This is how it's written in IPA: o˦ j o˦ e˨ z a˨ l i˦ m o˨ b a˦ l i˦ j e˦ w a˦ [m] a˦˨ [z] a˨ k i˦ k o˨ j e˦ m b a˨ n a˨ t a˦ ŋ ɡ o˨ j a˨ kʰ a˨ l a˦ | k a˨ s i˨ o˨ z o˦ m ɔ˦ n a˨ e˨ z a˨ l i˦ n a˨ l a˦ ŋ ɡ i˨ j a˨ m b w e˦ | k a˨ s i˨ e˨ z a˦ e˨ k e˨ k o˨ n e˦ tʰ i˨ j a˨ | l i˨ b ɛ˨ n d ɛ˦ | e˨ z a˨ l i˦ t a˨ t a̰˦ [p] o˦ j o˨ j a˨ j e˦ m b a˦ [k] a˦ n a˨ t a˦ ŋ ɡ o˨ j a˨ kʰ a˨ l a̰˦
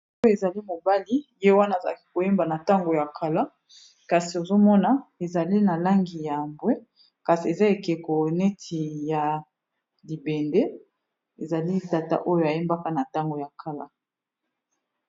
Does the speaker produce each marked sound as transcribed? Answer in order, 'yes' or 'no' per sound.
no, yes, no, yes

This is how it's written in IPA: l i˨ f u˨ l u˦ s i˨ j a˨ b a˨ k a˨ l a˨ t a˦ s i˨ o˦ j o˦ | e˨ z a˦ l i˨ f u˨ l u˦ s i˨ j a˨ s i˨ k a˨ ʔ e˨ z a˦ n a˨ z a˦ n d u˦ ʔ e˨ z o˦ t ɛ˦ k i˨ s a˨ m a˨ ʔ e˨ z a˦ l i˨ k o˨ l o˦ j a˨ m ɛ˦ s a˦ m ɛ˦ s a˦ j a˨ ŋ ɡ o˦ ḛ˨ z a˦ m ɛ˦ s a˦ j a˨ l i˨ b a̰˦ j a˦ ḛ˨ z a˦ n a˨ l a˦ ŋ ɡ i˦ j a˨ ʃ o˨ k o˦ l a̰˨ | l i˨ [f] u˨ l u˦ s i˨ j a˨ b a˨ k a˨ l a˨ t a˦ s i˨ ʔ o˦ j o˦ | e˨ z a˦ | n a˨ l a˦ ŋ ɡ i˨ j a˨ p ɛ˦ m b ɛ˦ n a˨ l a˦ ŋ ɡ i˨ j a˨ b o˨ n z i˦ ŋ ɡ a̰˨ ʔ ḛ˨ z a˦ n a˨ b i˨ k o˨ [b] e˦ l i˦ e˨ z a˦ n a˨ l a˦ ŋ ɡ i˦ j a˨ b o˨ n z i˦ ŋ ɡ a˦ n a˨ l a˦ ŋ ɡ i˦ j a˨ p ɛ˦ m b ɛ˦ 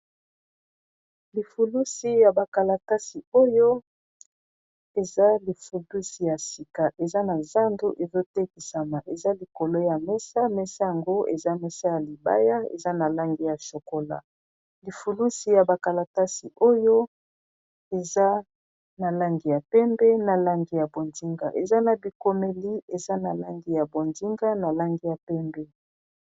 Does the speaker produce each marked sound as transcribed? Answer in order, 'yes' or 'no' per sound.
yes, no

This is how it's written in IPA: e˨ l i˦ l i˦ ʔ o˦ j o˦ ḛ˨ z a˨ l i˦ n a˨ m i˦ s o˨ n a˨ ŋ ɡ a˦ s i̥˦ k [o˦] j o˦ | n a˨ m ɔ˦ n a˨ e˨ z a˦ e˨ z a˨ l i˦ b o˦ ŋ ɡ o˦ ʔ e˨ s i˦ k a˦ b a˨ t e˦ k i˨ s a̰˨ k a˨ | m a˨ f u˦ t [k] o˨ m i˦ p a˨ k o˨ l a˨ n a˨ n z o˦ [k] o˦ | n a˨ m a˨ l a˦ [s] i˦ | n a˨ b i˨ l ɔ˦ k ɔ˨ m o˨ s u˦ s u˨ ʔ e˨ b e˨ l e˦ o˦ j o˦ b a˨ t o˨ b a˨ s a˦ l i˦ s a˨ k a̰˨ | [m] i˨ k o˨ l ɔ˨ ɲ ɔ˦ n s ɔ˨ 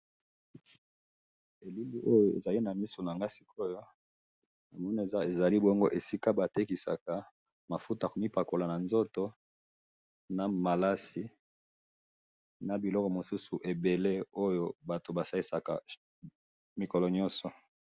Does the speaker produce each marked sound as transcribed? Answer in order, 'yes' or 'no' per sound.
yes, yes, no, yes, yes

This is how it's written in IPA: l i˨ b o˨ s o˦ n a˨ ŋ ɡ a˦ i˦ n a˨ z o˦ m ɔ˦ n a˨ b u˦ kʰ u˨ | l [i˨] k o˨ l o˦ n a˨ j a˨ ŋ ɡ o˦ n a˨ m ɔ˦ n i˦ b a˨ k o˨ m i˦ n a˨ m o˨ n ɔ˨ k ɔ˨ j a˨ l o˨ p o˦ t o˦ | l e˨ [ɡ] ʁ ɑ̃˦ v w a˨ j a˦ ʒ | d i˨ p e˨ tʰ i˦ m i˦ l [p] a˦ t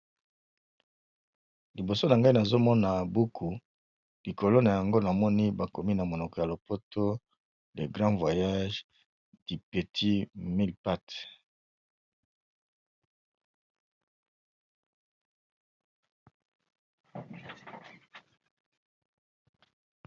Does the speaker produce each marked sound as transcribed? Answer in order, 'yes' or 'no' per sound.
yes, yes, yes

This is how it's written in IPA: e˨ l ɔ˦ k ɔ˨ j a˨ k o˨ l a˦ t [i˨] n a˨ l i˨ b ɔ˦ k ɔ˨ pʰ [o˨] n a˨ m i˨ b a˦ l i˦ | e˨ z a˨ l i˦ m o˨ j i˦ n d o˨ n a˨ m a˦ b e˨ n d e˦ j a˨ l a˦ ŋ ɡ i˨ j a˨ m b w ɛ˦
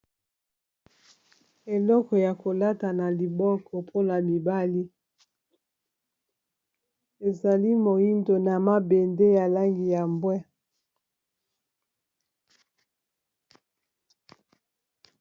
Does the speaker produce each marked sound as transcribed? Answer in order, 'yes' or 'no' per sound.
no, no

